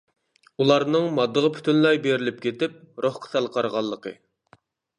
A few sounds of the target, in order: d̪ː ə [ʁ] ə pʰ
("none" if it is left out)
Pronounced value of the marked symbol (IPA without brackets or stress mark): ʁ